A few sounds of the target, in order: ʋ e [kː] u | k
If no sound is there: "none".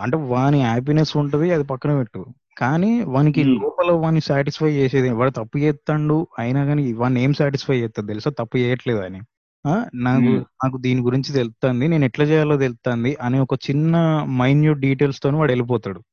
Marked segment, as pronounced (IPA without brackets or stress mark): ʈː